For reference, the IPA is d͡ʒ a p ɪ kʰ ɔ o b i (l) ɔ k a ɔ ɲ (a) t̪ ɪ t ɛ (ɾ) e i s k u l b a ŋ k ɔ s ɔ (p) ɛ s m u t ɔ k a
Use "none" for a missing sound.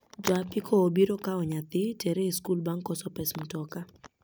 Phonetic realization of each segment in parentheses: ɾ, a, ɾ, p

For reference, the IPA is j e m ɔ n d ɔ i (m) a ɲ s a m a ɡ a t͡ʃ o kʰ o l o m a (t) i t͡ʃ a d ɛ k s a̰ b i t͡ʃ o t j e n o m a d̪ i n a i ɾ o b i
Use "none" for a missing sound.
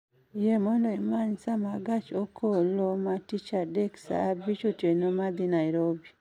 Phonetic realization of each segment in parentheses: m, t

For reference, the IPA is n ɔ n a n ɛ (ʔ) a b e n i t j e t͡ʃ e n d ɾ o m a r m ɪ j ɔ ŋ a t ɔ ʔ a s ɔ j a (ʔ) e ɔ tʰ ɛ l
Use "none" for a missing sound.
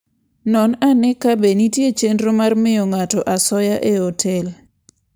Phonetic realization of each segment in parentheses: k, ʔ

